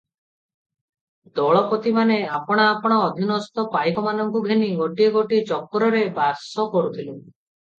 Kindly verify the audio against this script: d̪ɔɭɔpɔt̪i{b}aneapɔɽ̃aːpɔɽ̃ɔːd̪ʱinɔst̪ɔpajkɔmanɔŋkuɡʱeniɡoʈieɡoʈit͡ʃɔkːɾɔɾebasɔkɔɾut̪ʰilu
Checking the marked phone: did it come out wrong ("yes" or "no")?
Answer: yes